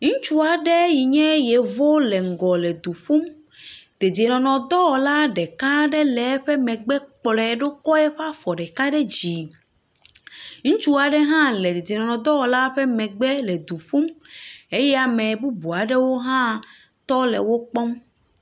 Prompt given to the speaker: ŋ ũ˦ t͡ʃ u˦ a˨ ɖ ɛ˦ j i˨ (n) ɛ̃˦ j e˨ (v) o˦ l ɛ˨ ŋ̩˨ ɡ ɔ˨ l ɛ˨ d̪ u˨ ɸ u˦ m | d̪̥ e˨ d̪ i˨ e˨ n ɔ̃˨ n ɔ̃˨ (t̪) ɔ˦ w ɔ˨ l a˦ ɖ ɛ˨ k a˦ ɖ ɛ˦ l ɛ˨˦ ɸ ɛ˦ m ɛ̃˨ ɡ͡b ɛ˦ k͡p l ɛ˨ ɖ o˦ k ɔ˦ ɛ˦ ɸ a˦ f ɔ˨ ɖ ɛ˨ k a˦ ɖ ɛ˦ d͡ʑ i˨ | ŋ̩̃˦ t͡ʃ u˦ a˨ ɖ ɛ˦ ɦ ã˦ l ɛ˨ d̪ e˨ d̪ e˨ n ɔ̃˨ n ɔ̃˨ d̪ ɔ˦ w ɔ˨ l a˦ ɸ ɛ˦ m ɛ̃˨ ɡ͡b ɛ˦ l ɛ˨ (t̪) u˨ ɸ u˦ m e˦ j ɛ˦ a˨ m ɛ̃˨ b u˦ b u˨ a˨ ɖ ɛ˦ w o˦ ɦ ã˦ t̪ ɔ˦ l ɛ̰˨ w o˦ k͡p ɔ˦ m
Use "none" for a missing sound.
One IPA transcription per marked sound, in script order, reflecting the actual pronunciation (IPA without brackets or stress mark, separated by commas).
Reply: ɲ, v, d̪, d̪